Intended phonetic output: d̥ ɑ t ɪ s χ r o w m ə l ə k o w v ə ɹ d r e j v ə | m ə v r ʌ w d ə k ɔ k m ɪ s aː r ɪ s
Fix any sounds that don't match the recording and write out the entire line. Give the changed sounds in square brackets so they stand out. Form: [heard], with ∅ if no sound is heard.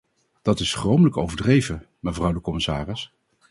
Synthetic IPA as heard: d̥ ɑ t ɪ s χ r o w m ə l ə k o w v ə ɹ d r e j v ə | m ə v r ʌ w d ə k ɔ [∅] m ɪ s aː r ɪ s